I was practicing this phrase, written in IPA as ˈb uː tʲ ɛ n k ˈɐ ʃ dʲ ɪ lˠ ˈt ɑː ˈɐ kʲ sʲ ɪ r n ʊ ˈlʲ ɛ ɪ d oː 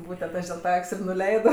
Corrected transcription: ˈb uː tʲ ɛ n t ˈɐ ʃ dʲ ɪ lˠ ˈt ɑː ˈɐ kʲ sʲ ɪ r n ʊ ˈlʲ ɛ ɪ d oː

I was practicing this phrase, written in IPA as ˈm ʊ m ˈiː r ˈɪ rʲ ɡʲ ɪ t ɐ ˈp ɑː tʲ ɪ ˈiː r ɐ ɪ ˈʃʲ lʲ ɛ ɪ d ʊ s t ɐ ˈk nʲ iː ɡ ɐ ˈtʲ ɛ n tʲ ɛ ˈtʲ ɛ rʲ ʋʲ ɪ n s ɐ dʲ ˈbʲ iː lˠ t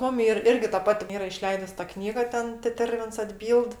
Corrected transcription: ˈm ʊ m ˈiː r ˈɪ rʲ ɡʲ ɪ t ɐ ˈp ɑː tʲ ɪ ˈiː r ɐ ɪ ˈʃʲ lʲ ɛ ɪ d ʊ s t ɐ ˈk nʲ iː ɡ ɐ ˈtʲ ɛ n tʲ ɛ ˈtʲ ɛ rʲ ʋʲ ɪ n s ɐ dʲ ˈbʲ iː lˠ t

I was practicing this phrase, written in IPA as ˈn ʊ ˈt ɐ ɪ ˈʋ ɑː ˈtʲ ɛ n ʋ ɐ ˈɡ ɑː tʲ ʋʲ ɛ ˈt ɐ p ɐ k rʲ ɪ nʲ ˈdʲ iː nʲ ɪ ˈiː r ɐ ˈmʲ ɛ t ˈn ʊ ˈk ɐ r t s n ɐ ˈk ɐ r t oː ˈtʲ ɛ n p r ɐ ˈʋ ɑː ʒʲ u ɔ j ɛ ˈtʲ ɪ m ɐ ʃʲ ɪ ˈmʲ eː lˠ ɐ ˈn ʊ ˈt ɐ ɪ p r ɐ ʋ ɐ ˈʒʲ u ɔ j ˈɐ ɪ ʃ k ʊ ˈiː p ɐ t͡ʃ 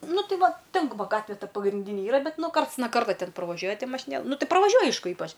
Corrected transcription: ˈn ʊ ˈt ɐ ɪ ˈʋ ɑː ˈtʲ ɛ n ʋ ɐ ˈɡ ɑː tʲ ʋʲ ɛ ˈt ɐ p ɐ ɡ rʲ ɪ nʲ ˈdʲ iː nʲ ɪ ˈiː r ɐ ˈbʲ ɛ t ˈn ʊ ˈk ɐ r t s n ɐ ˈk ɐ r t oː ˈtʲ ɛ n p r ɐ ˈʋ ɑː ʒʲ u ɔ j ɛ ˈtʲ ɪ m ɐ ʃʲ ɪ ˈnʲ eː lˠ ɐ ˈn ʊ ˈt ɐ ɪ p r ɐ ʋ ɐ ˈʒʲ u ɔ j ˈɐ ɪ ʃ k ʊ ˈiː p ɐ t͡ʃ

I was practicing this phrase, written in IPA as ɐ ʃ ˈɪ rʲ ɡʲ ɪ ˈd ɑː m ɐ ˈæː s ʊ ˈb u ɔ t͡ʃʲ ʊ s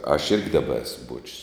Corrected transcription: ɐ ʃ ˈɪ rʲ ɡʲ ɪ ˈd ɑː b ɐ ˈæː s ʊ ˈb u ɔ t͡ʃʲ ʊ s

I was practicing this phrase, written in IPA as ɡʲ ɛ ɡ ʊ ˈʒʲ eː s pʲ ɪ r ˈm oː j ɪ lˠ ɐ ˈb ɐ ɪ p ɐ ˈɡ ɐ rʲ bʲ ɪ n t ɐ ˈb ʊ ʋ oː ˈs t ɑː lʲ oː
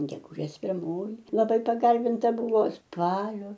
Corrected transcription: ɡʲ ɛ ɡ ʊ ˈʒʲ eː s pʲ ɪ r ˈm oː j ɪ lˠ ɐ ˈb ɐ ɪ p ɐ ˈɡ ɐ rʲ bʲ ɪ n t ɐ ˈb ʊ ʋ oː ˈs p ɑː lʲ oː

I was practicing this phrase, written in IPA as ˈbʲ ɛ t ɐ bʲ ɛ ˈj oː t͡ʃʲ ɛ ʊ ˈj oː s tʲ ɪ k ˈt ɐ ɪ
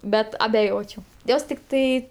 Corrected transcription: ˈbʲ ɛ t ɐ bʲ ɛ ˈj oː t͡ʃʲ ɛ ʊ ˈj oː s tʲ ɪ k ˈt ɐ ɪ

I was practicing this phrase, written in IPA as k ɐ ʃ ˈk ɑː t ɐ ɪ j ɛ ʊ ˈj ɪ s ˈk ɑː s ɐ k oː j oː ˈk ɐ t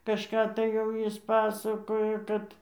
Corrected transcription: k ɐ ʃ ˈk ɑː t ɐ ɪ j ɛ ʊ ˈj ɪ s ˈp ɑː s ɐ k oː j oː ˈk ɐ t

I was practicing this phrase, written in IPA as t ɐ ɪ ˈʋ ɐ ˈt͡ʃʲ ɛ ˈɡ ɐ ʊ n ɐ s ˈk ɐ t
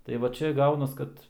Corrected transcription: t ɐ ɪ ˈʋ ɐ ˈt͡ʃʲ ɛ ˈɡ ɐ ʊ n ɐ s ˈk ɐ t

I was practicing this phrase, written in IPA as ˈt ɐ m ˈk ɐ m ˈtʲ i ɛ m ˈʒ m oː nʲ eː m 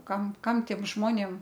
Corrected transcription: ˈk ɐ m ˈk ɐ m ˈtʲ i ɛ m ˈʒ m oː nʲ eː m

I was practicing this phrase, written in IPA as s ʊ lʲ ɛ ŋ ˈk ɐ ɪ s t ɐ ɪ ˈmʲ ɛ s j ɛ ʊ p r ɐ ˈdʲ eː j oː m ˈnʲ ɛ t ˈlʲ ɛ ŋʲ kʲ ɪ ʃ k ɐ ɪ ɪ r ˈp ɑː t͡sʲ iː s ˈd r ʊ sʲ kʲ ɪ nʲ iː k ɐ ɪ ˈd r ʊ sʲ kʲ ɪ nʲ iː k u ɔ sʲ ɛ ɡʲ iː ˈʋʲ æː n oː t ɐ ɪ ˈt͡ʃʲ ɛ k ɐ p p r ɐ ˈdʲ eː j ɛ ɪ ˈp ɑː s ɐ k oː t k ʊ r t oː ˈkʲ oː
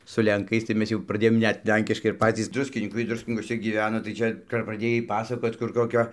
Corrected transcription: s ʊ lʲ ɛ ŋ ˈk ɐ ɪ s t ɐ ɪ ˈmʲ ɛ s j ɛ ʊ p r ɐ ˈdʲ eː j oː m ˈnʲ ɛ t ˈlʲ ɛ ŋʲ kʲ ɪ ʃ k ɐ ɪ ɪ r ˈp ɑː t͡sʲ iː s ˈd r ʊ sʲ kʲ ɪ nʲ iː k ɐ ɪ ˈd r ʊ sʲ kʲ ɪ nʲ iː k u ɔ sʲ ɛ ɡʲ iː ˈʋʲ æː n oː t ɐ ɪ ˈt͡ʃʲ ɛ k ɐ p p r ɐ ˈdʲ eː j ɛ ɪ ˈp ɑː s ɐ k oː t k ʊ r k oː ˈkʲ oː

